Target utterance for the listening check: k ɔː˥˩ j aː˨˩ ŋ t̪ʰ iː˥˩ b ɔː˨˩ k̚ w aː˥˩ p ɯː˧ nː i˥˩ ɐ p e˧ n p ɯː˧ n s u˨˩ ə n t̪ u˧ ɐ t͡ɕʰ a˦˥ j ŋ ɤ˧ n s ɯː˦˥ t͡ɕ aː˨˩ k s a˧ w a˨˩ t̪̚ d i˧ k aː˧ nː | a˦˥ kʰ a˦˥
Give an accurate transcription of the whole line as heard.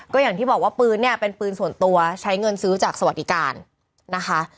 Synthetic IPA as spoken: k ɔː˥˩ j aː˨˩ ŋ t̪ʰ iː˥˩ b ɔː˨˩ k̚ w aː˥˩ p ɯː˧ nː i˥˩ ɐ p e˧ n p ɯː˧ n s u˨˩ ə n t̪ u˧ ɐ t͡ɕʰ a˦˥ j ŋ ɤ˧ n s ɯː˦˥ t͡ɕ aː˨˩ k s a˧ w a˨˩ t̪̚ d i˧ k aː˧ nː | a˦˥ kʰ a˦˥